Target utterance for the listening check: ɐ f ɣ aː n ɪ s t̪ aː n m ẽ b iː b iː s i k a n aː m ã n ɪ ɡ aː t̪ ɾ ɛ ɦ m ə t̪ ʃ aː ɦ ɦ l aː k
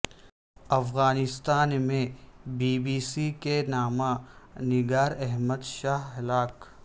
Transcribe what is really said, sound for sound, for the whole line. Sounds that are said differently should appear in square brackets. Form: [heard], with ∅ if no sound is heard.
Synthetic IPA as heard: ɐ f ɣ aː n ɪ s t̪ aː n m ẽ b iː b iː s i k [e] n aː m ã n ɪ ɡ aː [∅] ɾ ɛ ɦ m ə [d̪] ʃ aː ɦ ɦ l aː k